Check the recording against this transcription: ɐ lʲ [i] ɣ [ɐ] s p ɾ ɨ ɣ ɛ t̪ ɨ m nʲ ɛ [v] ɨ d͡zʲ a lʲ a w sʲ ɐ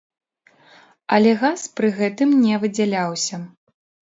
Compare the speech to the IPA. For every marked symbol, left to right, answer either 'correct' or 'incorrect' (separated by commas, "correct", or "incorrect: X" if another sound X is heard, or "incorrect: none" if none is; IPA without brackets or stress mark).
incorrect: ɛ, incorrect: a, correct